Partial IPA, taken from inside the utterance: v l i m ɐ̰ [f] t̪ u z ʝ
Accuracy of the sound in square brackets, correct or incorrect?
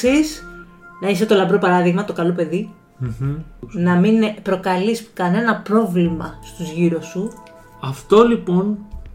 incorrect